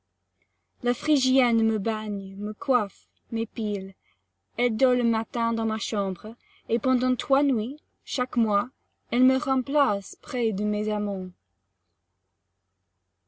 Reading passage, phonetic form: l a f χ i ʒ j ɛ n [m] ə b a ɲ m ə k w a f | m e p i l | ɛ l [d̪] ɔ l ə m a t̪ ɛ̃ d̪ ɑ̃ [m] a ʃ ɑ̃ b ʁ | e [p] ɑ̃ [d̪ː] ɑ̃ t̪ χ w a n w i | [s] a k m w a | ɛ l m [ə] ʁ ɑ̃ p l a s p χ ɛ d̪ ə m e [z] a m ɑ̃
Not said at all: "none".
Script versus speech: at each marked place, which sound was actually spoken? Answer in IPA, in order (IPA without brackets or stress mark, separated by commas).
m, d̪, m, p, d̪, ʃ, ə, z